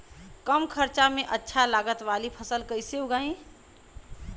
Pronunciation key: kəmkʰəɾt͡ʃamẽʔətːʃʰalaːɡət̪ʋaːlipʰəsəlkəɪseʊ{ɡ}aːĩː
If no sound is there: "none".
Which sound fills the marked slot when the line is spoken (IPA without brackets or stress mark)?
ɡ